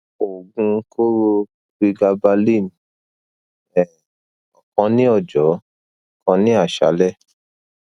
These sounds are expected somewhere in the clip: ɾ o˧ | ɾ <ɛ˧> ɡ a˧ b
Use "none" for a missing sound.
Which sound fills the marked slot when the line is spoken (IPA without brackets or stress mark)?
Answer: i˧